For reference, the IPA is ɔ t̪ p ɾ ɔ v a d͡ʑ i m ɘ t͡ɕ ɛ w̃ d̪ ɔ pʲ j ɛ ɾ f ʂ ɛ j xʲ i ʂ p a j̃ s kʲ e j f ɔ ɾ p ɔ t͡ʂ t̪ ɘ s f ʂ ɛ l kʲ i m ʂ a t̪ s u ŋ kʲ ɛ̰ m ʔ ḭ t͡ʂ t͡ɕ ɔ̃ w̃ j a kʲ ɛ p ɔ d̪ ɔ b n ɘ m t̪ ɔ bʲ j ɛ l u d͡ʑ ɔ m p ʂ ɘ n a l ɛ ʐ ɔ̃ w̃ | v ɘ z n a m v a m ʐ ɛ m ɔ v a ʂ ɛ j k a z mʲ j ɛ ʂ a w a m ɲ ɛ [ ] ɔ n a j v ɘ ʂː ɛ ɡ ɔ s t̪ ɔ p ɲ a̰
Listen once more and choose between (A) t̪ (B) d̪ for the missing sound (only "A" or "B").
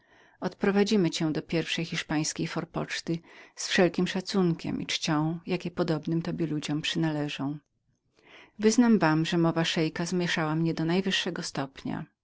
B